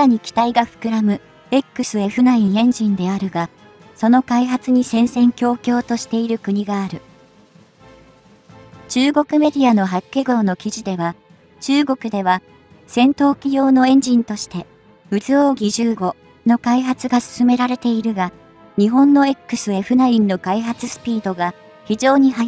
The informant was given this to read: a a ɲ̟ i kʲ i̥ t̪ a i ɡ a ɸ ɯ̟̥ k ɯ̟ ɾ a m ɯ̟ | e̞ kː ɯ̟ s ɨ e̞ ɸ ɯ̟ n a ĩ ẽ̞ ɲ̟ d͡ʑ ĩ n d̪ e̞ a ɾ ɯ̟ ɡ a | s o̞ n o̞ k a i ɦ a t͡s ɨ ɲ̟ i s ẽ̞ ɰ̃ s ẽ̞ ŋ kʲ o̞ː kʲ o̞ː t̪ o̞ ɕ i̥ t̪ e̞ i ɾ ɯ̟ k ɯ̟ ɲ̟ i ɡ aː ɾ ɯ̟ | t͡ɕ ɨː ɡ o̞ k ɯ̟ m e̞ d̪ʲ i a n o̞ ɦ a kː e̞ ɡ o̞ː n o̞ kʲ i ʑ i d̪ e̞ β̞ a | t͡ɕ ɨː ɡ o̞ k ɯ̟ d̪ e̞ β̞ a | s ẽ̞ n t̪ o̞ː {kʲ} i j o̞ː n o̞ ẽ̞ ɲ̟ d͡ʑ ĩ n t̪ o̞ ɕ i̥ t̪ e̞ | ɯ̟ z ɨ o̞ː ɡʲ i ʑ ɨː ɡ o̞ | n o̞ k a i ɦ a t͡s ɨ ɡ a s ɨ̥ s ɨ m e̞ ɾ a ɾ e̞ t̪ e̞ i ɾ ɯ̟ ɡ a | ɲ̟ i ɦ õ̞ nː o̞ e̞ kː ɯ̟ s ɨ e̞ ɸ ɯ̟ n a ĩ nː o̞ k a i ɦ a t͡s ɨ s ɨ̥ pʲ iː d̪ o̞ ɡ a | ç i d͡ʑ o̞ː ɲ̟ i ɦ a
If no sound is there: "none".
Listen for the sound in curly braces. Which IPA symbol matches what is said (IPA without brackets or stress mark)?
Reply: kʲ